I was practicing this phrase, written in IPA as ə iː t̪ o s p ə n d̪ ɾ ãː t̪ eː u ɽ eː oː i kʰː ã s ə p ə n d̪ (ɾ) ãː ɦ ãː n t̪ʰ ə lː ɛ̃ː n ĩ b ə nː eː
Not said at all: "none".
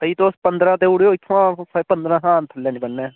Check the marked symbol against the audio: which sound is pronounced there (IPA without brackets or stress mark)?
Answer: ɾ